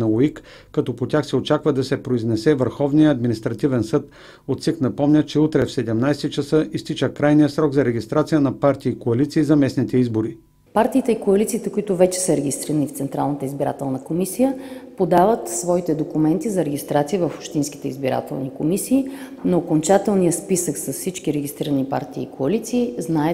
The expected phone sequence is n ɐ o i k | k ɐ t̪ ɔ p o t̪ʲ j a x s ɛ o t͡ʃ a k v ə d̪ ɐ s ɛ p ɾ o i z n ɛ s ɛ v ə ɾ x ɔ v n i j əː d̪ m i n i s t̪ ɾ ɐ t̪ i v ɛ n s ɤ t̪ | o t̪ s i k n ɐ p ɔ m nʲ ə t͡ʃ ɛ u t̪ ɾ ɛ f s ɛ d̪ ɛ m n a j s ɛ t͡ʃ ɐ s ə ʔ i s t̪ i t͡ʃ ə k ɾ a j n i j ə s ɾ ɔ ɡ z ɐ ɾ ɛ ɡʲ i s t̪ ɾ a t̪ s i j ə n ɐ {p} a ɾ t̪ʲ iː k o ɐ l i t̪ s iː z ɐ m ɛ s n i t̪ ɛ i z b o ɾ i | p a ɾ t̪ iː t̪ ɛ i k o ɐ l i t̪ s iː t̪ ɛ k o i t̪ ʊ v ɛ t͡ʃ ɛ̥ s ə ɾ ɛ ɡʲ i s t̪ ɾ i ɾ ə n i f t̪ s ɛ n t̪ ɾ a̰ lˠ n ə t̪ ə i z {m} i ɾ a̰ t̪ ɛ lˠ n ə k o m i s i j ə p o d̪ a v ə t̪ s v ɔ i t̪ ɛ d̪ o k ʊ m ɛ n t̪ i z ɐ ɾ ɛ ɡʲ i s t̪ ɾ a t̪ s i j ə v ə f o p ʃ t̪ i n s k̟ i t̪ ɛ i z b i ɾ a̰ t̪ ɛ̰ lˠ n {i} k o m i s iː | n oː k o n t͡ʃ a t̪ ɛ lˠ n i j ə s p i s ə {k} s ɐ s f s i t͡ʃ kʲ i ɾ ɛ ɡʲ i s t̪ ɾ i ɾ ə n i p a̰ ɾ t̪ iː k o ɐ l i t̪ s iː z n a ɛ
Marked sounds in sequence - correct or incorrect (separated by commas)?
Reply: correct, incorrect, correct, correct